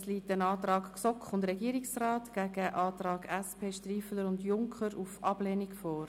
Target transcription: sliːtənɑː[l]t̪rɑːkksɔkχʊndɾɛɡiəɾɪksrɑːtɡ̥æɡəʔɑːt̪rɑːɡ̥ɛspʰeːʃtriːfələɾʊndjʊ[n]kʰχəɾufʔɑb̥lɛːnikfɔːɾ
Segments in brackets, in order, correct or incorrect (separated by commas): incorrect, incorrect